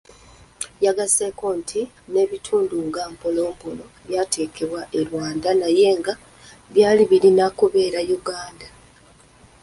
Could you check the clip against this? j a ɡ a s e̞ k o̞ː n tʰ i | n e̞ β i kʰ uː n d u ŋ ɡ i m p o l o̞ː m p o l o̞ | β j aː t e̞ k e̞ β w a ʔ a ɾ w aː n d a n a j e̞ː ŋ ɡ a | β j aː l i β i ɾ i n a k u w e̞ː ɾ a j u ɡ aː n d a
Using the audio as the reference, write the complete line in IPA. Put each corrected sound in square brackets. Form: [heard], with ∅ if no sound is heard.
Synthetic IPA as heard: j a ɡ a s e̞ k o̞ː n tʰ i | n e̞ β i [tʰ] uː n d u ŋ ɡ [a] m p o l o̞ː m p o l o̞ | β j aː t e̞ k e̞ β w a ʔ [e] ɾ w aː n d a n a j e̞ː ŋ ɡ a | β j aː l i β i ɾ i n a k u [β] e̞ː ɾ a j u ɡ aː n d a

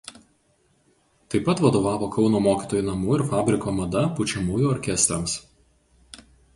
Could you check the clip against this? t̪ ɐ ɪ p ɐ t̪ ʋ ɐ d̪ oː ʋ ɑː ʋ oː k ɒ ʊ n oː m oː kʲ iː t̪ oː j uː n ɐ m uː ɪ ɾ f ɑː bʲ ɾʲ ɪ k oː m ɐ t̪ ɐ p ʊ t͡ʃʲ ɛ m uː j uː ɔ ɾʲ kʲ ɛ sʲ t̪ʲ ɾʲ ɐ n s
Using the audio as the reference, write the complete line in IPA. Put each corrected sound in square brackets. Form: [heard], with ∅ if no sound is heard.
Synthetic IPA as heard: t̪ ɐ ɪ p ɐ t̪ ʋ ɐ d̪ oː ʋ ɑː ʋ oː k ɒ ʊ n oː m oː kʲ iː t̪ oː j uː n ɐ m uː ɪ ɾ f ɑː bʲ ɾʲ ɪ k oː m ɐ [d̪] ɐ p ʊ t͡ʃʲ ɛ m uː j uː ɔ ɾʲ kʲ ɛ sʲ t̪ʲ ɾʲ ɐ [m] s

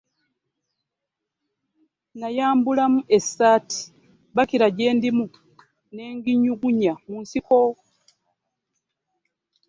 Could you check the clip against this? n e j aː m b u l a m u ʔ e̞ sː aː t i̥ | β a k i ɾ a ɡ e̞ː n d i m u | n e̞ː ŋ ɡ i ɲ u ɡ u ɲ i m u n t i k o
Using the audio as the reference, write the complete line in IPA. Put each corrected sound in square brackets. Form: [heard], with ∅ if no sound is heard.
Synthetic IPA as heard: n [a] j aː m b u l a m u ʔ e̞ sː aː t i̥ | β a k i ɾ a [ɟ] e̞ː n d i m u | n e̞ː ŋ ɡ i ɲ u ɡ u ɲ [a] m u n [s] i k o

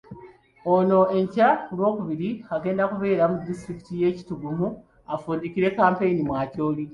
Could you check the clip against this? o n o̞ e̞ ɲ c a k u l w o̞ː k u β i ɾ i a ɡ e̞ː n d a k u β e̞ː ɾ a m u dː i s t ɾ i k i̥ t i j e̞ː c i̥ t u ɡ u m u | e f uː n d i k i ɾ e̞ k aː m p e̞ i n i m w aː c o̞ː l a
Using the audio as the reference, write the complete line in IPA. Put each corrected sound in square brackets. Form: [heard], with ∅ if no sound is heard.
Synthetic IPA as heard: o n o̞ e̞ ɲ c a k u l w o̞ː k u β i ɾ i a ɡ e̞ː n d a k u β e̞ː ɾ a m u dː i s t ɾ i k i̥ t i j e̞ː c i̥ t u ɡ u m u | [a] f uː n d i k i ɾ e̞ k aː m p e̞ i n i m w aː c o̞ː l [i]

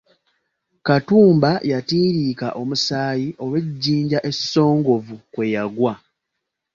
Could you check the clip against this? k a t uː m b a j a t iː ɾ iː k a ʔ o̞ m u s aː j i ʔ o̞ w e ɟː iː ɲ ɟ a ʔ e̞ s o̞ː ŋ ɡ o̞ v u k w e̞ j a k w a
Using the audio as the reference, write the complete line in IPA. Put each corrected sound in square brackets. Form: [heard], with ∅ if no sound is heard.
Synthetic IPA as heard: k a t uː m b a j a t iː ɾ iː k a ʔ o̞ m u s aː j i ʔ o̞ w e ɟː iː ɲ ɟ a ʔ e̞ s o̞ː ŋ ɡ o̞ v u k w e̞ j a [ɡ] w a

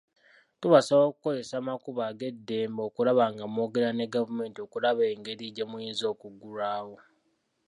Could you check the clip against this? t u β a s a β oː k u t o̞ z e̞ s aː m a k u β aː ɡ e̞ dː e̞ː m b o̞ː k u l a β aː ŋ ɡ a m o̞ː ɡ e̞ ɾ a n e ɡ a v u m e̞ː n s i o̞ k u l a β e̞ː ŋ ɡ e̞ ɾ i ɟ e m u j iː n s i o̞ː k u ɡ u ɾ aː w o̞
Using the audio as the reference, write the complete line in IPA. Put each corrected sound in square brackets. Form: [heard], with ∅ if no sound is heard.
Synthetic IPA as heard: t u β a s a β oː k u [k] o̞ z e̞ s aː m a k u β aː ɡ e̞ dː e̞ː m b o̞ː k u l a β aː ŋ ɡ a m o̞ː ɡ e̞ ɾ a n e ɡ a v u m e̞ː n [t] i o̞ k u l a β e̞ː ŋ ɡ e̞ ɾ i ɟ e m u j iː n [z] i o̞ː k u ɡ u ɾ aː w o̞

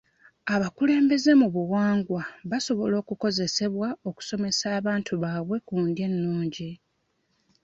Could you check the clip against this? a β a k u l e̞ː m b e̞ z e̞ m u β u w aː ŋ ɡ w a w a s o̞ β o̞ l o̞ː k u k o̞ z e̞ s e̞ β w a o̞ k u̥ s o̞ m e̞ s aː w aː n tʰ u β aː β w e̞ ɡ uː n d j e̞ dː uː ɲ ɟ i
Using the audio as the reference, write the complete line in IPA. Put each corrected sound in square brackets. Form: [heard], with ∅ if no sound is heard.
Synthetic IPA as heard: a β a k u l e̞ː m b e̞ z e̞ m u β u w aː ŋ ɡ w a [β] a s o̞ β o̞ l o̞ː k u k o̞ z e̞ s e̞ β w a o̞ k u̥ s o̞ m e̞ s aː [β] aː n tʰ u β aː β w e̞ [k] uː n d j e̞ [nː] uː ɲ ɟ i

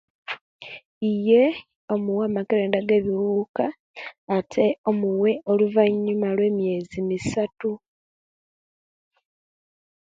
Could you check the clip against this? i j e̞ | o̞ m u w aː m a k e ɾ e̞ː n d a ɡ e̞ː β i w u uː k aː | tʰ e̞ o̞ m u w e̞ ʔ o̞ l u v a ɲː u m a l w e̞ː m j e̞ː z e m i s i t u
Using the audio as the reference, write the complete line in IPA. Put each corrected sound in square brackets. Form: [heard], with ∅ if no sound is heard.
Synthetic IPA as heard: i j e̞ | o̞ m u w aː m a k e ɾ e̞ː n d a ɡ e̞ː β i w u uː k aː | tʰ e̞ o̞ m u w e̞ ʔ o̞ l u v a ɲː u m a l w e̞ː m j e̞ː z [i] m i s [a] t u

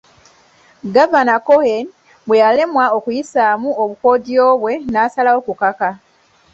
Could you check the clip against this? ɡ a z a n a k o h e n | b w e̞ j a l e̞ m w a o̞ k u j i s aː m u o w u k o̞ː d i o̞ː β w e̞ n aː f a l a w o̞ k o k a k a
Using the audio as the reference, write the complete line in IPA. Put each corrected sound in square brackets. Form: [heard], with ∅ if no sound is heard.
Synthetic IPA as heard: ɡ a [v] a n a k o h e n | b w e̞ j a l e̞ m w a o̞ k u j i s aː m u o [β] u k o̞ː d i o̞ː β w e̞ n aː [s] a l a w o̞ k [u] k a k a

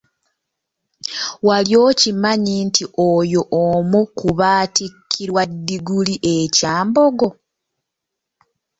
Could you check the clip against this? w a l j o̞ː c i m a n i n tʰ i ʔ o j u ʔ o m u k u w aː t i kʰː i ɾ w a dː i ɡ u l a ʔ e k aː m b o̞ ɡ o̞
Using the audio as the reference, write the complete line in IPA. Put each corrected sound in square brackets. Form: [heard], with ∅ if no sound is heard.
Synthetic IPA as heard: w a l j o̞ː c i m a [ɲ] i n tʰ i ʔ o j [o] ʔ o m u k u [β] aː t i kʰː i ɾ w a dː i ɡ u l [i] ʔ e [c] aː m b o̞ ɡ o̞

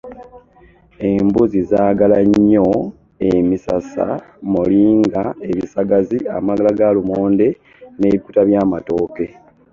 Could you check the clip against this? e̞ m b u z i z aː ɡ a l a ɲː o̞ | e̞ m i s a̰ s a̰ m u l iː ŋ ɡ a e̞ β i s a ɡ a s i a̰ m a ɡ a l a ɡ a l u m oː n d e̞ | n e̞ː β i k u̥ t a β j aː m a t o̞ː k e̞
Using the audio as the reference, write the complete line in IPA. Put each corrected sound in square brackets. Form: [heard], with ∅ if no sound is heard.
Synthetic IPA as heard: e̞ m b u z i z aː ɡ a l a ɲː o̞ | e̞ m i s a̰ s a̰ m u l iː ŋ ɡ a e̞ β i s a ɡ a [z] i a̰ m a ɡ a l a ɡ a l u m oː n d e̞ | n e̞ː β i k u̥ t a β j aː m a t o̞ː k e̞

